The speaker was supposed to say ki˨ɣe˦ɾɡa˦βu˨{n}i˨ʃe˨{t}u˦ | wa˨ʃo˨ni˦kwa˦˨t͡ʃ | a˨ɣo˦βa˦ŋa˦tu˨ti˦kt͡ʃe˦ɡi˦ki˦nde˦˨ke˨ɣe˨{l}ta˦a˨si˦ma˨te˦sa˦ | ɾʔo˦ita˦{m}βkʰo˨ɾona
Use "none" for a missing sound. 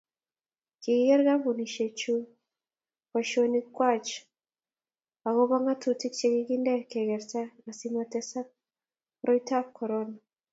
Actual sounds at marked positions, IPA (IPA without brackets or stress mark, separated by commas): n, t͡ʃ, ɾ, none